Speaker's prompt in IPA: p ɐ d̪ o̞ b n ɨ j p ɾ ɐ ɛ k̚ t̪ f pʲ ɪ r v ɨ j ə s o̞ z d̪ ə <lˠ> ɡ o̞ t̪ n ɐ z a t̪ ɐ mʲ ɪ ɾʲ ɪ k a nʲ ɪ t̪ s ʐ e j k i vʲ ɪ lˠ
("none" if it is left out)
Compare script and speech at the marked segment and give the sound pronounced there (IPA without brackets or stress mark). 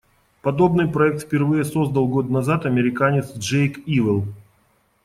lˠ